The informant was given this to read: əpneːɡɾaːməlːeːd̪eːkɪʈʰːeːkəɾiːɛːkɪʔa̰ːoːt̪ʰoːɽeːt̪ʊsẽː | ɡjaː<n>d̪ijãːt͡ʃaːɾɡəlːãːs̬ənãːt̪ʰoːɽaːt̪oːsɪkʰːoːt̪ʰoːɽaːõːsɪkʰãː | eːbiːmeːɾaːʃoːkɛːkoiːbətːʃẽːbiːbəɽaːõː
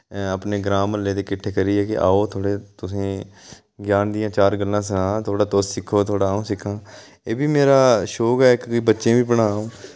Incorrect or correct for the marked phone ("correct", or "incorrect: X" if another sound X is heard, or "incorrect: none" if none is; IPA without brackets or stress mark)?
correct